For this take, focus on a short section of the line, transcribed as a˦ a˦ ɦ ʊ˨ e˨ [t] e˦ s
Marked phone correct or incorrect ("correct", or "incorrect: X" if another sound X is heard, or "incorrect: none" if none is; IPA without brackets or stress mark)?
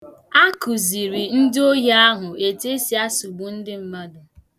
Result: correct